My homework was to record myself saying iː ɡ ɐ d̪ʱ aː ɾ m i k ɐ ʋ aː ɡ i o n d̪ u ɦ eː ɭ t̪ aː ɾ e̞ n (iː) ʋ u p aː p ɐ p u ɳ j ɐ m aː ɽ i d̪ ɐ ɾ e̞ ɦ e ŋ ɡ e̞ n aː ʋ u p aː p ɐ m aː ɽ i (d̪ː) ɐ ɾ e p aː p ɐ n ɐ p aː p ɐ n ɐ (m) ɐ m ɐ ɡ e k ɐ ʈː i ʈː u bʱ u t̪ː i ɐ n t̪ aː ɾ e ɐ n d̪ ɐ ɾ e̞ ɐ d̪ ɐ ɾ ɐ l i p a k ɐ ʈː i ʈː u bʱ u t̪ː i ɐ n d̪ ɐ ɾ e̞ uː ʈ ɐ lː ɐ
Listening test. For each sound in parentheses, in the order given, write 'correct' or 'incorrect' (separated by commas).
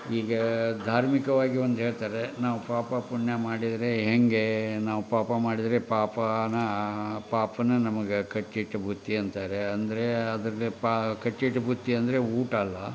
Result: incorrect, incorrect, incorrect